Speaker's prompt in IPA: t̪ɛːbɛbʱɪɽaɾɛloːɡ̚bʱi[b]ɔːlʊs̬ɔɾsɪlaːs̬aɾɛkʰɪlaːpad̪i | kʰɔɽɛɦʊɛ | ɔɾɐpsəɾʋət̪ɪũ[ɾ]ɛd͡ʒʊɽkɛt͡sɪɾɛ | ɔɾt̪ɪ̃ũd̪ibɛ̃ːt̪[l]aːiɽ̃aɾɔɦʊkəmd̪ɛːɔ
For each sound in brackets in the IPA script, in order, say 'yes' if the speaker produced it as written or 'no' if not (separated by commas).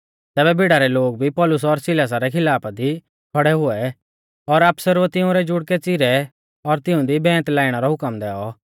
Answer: no, yes, yes